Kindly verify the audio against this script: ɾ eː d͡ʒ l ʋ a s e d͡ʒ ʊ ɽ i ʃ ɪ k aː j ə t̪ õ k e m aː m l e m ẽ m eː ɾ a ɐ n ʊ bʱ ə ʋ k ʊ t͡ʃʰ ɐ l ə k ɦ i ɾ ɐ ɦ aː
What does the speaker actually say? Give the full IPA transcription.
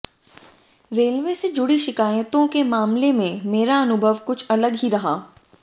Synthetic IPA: ɾ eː l ʋ e s e d͡ʒ ʊ ɽ i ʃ ɪ k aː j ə t̪ õ k e m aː m l e m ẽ m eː ɾ a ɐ n ʊ bʱ ə ʋ k ʊ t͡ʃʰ ɐ l ə ɡ ɦ i ɾ ɐ ɦ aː